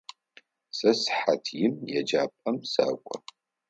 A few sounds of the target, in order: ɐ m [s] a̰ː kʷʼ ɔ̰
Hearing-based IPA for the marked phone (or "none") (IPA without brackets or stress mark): s